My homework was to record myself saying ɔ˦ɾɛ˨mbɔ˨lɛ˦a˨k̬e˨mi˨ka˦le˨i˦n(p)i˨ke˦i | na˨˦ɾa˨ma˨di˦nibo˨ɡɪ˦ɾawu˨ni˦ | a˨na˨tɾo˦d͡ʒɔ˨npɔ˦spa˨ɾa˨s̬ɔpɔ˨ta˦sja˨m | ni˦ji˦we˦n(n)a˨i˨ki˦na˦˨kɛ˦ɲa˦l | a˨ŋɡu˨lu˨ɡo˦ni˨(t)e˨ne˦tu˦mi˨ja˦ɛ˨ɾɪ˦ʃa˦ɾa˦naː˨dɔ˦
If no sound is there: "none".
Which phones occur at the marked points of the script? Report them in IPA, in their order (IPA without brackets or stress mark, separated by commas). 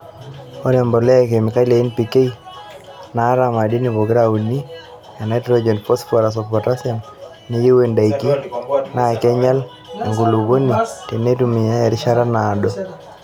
p, d, t